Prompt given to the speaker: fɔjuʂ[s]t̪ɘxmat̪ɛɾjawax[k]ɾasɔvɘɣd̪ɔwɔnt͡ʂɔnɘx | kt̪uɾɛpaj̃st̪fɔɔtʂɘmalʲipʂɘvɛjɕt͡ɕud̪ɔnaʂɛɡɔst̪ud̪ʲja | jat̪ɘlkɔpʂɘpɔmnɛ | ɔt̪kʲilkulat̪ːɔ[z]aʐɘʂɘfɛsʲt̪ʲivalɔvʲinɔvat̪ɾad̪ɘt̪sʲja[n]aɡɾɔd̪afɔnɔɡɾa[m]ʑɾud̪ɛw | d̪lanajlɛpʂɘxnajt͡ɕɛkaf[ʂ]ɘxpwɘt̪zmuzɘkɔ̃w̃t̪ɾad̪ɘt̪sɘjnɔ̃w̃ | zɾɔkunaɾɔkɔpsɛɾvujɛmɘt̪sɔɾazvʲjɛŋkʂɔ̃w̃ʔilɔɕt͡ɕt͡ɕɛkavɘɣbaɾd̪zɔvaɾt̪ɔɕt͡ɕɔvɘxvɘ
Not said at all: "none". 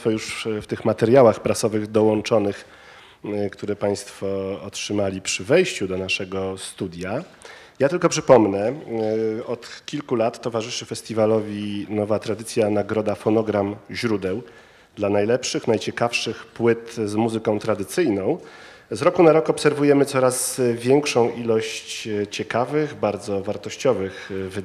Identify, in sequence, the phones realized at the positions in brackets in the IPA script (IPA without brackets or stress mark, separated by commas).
f, p, v, n, m, ʂ